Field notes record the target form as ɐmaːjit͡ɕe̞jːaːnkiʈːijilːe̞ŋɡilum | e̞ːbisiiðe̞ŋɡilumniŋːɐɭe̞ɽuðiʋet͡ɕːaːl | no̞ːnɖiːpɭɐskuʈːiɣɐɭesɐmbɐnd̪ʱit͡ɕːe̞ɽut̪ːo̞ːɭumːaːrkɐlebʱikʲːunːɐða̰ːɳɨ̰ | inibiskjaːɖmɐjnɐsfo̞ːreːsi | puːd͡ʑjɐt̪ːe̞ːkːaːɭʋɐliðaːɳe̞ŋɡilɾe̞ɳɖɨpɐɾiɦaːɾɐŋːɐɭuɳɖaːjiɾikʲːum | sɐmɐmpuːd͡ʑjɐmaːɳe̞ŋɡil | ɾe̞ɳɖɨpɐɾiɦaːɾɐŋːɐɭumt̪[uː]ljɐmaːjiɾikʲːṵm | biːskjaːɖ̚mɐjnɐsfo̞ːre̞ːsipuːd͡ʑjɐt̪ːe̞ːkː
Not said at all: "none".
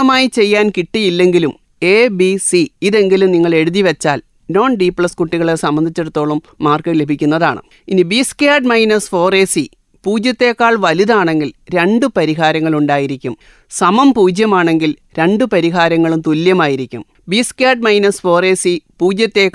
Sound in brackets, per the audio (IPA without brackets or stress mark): u